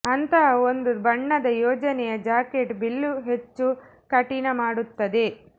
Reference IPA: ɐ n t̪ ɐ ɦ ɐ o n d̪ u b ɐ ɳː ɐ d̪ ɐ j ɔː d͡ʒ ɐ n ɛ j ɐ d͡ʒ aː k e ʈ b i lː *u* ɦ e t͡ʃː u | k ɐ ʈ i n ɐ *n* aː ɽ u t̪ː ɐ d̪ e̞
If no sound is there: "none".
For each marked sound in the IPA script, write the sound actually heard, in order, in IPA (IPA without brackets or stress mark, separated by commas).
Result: u, m